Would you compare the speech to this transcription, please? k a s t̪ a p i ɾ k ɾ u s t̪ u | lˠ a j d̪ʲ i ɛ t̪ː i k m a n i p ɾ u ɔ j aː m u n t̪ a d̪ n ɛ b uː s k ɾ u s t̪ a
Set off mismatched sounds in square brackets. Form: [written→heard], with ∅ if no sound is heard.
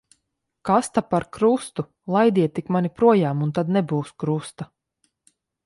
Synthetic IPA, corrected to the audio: k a s t̪ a p [i→a] ɾ k ɾ u s t̪ u | lˠ a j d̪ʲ i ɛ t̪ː i k m a n i p ɾ u ɔ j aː m u n t̪ a d̪ n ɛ b uː s k ɾ u s t̪ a

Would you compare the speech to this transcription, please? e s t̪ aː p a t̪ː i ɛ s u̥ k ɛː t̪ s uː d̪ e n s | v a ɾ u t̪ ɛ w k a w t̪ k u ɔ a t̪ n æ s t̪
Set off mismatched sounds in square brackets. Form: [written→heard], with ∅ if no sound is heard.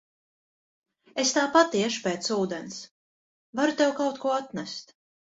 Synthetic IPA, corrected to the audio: e s t̪ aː p a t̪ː i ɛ [s→ʃ] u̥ [k→p] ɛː t̪ s uː d̪ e n s | v a ɾ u t̪ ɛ w k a w t̪ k u ɔ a t̪ n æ s t̪

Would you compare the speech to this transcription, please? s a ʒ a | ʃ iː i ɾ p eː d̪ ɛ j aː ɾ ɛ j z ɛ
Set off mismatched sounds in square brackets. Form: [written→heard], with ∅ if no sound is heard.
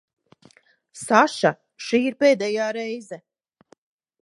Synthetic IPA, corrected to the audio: s a [ʒ→ʃ] a | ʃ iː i ɾ p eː d̪ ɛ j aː ɾ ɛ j z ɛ

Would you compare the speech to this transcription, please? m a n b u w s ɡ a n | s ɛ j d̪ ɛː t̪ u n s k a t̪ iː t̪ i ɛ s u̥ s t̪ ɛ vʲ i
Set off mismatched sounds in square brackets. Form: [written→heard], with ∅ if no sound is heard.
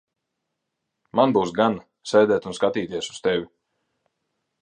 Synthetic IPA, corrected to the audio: m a n b u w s ɡ a n | s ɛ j d̪ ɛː t̪ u n s k a t̪ iː t̪ i ɛ s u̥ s t̪ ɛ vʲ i

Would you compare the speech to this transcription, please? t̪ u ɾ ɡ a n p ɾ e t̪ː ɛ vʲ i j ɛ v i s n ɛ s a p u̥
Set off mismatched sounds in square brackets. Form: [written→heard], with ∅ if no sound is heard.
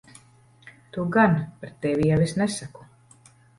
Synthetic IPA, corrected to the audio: t̪ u [ɾ→∅] ɡ a n p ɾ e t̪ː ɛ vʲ i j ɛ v i s n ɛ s a [p→k] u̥

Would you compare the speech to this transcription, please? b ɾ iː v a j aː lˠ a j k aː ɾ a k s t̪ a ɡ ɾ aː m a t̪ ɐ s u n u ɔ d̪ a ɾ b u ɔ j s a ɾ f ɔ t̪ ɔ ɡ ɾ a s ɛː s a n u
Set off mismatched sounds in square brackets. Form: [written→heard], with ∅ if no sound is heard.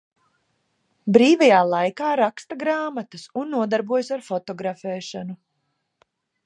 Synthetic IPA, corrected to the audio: b ɾ iː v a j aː lˠ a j k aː ɾ a k s t̪ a ɡ ɾ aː m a t̪ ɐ s u [n→nː] u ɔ d̪ a ɾ b u ɔ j s a ɾ f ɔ t̪ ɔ ɡ ɾ a [s→f] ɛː [s→ʃ] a n u

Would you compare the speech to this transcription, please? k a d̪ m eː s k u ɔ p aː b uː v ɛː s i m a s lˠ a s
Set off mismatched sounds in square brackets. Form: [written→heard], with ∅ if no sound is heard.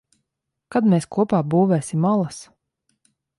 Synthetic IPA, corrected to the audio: k a d̪ m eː s k u ɔ p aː b uː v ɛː s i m a [s→∅] lˠ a s

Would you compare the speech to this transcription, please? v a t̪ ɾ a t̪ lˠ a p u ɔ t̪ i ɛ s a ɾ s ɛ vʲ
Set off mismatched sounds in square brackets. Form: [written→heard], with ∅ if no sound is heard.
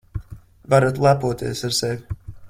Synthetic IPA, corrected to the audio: v a [t̪→∅] ɾ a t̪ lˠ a p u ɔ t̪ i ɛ s a ɾ s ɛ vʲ

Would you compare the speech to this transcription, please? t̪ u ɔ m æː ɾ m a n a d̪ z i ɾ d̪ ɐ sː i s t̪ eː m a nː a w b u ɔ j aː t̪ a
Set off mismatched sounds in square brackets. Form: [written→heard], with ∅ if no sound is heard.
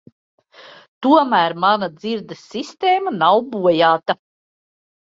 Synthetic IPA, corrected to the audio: t̪ u ɔ m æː ɾ m a n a d̪ z i ɾ d̪ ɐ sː i s t̪ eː m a [nː→n] a w b u ɔ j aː t̪ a

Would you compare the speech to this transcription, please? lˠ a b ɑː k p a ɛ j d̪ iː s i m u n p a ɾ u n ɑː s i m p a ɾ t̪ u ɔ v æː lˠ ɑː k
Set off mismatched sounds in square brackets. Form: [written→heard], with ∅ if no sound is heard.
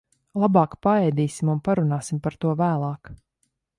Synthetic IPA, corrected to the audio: lˠ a b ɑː k p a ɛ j d̪ iː s i m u n p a ɾ u n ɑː s i m p a ɾ t̪ u ɔ v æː lˠ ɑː k

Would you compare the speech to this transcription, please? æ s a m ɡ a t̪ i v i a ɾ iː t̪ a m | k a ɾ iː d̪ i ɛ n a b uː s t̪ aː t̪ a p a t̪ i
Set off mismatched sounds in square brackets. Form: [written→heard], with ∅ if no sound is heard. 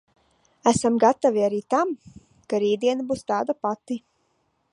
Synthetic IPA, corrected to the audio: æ s a m ɡ a t̪ [i→a] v i a ɾ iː t̪ a m | k a ɾ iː d̪ i ɛ n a b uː s t̪ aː [t̪→d̪] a p a t̪ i

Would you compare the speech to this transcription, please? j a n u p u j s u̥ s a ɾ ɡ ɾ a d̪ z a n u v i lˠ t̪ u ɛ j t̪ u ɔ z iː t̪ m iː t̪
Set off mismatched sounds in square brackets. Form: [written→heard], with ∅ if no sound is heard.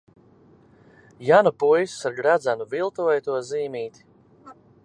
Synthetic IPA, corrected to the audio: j a n u p u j s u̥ s a ɾ ɡ ɾ a d̪ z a n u v i lˠ t̪ u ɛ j t̪ u ɔ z iː [t̪→∅] m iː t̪

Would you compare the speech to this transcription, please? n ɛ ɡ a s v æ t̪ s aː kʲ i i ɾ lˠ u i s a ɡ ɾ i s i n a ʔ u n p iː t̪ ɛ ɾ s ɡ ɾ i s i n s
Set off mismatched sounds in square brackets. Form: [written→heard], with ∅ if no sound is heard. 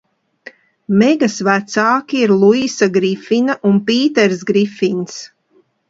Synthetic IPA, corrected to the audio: [n→m] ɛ ɡ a s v æ t̪ s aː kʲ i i ɾ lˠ u i s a ɡ ɾ i [s→f] i n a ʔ u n p iː t̪ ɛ ɾ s ɡ ɾ i [s→f] i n s

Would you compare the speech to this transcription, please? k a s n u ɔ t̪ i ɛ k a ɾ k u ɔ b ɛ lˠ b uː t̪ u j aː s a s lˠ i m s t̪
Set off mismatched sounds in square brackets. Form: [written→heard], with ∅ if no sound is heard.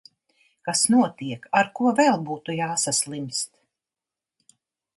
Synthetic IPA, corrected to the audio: k a s n u ɔ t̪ i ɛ k a ɾ k u ɔ [b→v] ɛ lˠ b uː t̪ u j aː s a s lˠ i m s t̪

